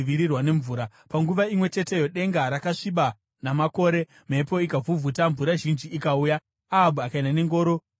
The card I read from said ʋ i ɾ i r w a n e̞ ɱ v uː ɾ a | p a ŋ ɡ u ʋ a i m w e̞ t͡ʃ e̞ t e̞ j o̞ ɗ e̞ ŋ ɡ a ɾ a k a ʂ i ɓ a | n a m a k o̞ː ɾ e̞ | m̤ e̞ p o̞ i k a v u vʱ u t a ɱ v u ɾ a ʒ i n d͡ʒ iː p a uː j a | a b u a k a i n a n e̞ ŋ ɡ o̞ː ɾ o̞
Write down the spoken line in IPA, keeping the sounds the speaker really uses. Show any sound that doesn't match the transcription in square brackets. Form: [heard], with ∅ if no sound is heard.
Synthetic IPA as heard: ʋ i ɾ i r w a n e̞ ɱ v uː ɾ a | p a ŋ ɡ u ʋ a i m w e̞ t͡ʃ e̞ t e̞ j o̞ ɗ e̞ ŋ ɡ a ɾ a k a ʂ i ɓ a | n a m a k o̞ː ɾ e̞ | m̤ e̞ p o̞ i k a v u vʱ u t a ɱ v u ɾ a ʒ i n d͡ʒ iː [k] a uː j a | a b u a k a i n a n e̞ ŋ ɡ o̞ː ɾ o̞